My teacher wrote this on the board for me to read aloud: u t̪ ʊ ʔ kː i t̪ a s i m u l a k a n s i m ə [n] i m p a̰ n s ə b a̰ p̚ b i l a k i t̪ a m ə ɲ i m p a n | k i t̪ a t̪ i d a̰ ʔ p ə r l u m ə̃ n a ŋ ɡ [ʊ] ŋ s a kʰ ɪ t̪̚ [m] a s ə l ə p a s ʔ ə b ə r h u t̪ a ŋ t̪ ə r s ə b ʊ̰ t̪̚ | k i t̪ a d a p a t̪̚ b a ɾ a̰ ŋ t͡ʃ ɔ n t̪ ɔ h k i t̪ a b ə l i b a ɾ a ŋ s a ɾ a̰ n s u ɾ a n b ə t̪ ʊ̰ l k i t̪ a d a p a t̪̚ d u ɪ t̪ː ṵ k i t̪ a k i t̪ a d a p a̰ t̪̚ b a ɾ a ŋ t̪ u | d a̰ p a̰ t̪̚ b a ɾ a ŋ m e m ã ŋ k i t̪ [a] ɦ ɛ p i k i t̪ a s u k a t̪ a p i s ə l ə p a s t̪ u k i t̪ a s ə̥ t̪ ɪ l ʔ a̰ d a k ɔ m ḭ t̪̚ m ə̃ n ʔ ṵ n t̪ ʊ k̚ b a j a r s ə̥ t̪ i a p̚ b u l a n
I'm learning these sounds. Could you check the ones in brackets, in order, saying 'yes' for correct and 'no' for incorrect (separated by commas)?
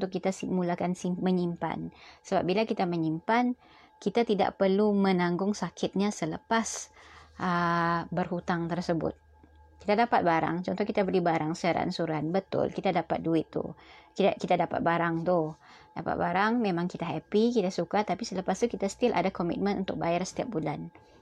no, yes, no, yes